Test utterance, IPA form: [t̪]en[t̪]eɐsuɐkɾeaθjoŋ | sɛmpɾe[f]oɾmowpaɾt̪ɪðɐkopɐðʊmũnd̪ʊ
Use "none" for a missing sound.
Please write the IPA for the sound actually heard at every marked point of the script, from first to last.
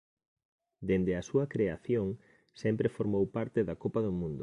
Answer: d̪, d̪, f

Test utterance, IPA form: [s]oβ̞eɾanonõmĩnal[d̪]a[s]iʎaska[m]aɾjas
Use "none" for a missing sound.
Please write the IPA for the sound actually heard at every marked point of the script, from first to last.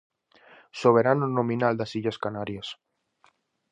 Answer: s, d̪, s, n

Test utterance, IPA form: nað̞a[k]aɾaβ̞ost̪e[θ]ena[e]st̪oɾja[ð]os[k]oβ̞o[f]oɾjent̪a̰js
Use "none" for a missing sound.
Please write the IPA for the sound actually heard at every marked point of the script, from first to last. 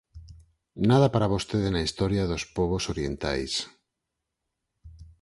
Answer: p, ð, i, ð, p, s

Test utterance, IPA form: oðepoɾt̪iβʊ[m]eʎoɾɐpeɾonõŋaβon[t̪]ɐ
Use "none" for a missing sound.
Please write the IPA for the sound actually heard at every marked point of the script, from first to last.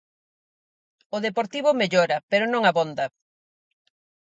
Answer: m, d̪

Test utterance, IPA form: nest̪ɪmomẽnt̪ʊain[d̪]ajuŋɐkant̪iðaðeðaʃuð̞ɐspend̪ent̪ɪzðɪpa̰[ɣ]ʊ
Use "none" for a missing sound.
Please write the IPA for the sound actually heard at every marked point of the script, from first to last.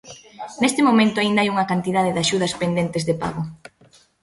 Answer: d̪, ɣ

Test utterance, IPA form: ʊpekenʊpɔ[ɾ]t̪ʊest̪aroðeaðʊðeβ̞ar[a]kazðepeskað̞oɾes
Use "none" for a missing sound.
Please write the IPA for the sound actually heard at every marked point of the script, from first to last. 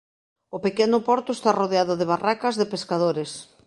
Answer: ɾ, a

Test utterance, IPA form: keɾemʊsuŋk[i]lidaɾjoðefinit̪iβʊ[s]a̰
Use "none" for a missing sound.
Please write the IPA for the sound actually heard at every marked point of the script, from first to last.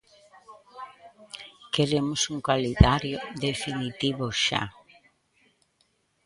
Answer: a, ʃ

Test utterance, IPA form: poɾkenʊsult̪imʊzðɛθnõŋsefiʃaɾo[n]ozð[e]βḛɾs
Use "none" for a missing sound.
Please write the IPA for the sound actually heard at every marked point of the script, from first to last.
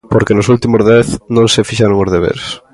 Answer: ŋ, e

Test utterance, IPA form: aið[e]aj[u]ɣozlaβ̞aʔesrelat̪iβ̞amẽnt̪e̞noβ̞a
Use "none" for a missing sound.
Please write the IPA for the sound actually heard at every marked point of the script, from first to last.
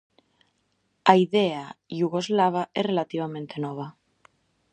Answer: e, u

